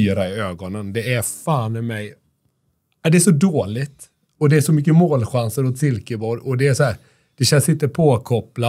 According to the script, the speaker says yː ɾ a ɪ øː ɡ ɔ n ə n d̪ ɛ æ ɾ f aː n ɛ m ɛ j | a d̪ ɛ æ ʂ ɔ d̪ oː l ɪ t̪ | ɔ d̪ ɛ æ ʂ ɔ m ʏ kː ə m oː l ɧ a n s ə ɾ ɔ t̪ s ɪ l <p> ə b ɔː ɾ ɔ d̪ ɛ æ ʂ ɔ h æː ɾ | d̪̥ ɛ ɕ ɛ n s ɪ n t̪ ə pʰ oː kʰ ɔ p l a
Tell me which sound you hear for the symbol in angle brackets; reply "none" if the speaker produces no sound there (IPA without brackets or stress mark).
k